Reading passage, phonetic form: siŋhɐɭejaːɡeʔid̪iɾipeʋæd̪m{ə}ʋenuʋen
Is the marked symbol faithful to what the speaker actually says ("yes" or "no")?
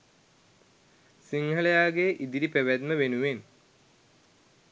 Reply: yes